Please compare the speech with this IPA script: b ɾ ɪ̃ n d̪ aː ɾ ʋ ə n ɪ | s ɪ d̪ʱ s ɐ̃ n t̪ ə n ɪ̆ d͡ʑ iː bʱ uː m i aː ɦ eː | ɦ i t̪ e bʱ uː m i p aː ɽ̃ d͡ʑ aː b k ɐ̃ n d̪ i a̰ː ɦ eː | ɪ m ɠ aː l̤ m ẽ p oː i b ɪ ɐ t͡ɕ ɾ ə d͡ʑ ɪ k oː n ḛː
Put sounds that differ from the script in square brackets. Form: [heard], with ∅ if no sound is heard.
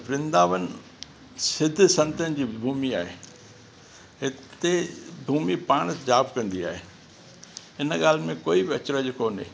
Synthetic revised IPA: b ɾ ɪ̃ n d̪ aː [∅] ʋ ə n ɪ | s ɪ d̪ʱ s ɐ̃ n t̪ ə n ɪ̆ d͡ʑ iː bʱ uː m i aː ɦ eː | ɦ [ɪ] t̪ e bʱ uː m i p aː ɽ̃ d͡ʑ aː b k ɐ̃ n d̪ i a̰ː ɦ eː | ɪ [n] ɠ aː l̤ m ẽ [k] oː i b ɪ ɐ t͡ɕ ɾ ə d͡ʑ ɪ k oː n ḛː